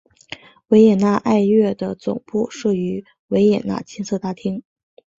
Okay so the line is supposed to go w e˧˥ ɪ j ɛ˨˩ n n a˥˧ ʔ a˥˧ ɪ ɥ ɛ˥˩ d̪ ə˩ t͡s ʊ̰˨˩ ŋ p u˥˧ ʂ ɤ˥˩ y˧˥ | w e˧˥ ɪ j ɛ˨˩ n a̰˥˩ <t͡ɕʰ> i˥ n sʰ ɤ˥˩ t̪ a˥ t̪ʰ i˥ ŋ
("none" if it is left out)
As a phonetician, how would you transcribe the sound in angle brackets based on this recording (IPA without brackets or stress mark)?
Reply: t͡ɕʰ